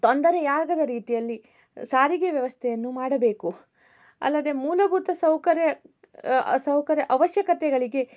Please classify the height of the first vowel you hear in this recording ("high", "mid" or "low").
mid